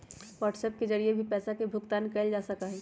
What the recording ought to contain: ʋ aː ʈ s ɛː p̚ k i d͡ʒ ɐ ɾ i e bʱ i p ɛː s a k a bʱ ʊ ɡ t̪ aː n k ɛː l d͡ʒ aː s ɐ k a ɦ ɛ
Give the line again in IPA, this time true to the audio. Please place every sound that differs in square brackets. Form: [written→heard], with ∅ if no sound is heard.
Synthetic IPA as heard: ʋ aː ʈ s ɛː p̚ k [i→e] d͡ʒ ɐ ɾ i e bʱ i p ɛː s a k [a→e] bʱ ʊ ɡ t̪ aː n k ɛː l d͡ʒ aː s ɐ k a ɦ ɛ